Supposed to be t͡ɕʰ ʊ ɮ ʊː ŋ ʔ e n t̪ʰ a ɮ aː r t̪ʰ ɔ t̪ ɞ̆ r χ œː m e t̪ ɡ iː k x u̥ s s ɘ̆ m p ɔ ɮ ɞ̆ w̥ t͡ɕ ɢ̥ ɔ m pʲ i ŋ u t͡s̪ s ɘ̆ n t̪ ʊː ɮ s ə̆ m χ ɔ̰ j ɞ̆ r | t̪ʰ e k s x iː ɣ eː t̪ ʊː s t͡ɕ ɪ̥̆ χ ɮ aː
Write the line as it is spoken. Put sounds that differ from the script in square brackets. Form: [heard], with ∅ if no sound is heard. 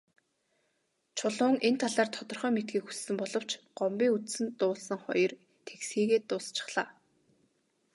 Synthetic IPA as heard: t͡ɕʰ ʊ ɮ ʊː ŋ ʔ e n t̪ʰ a ɮ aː r t̪ʰ ɔ t̪ ɞ̆ r χ œː m e t̪ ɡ iː k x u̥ s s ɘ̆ m p ɔ ɮ ɞ̆ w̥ t͡ɕ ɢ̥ ɔ m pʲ [iː] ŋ u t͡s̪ s ɘ̆ n t̪ ʊː ɮ s ə̆ [ŋ] χ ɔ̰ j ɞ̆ r | t̪ʰ e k s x iː ɣ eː t̪ ʊː s t͡ɕ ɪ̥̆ χ ɮ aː